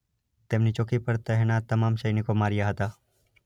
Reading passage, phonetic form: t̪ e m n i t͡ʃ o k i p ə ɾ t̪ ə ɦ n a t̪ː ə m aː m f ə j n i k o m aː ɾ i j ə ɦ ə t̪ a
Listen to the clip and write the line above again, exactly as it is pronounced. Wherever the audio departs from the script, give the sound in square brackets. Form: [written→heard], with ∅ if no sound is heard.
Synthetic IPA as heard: t̪ e m n i t͡ʃ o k i p ə ɾ t̪ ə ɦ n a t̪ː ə m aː m [f→ʃ] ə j n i k o m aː ɾ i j [ə→a] ɦ ə t̪ a

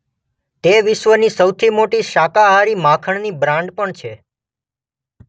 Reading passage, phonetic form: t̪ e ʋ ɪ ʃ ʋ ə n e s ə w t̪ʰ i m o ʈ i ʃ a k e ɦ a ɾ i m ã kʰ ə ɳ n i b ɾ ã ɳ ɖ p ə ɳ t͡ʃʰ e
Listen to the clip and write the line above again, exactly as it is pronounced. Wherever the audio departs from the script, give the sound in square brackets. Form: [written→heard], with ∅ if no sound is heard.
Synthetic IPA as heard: t̪ e ʋ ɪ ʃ ʋ ə n [e→i] s ə w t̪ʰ i m o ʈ i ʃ a k [e→a] ɦ a ɾ i m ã kʰ ə ɳ n i b ɾ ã ɳ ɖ p ə ɳ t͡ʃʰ e

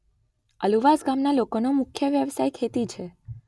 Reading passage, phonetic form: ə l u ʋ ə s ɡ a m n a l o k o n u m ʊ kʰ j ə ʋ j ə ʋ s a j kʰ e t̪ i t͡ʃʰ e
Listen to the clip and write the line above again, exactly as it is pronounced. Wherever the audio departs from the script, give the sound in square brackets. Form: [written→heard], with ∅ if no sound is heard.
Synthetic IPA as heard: ə l u ʋ [ə→a] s ɡ a m n a l o k o n [u→o] m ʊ kʰ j ə ʋ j ə ʋ s a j kʰ e t̪ i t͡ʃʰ e

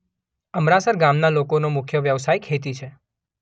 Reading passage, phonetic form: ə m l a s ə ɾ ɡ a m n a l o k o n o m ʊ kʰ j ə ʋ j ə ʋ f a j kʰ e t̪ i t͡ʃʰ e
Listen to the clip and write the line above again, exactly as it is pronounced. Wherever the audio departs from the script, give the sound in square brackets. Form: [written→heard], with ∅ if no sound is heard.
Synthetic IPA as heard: ə m [l→ɾ] a s ə ɾ ɡ a m n a l o k o n o m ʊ kʰ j ə ʋ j ə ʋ [f→s] a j kʰ e t̪ i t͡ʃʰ e

